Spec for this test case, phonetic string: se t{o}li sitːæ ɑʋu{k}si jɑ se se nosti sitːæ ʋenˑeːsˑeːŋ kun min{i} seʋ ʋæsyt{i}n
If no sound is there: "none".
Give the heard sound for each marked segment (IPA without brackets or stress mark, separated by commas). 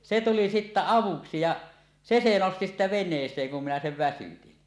u, k, æ, i